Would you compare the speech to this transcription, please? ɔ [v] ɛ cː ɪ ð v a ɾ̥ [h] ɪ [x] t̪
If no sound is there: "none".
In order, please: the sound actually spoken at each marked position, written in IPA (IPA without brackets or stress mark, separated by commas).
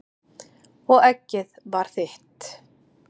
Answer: ɣ, θ, h